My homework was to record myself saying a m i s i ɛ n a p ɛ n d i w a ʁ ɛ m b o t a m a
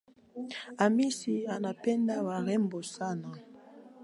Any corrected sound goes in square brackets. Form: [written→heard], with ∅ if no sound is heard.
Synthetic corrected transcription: a m i s i [ɛ→a] n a p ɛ n d [i→a] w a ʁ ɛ m b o [t→s] a [m→n] a